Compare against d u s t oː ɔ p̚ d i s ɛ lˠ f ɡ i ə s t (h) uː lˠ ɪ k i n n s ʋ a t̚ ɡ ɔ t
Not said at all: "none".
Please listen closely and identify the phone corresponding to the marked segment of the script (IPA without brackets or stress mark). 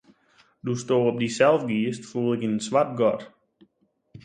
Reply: f